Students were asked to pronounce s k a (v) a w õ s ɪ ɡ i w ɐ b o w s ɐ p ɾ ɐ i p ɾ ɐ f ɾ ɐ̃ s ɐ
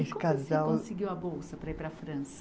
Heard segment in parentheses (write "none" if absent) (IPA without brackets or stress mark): z